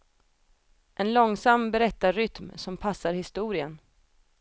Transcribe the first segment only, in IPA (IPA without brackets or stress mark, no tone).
ʔ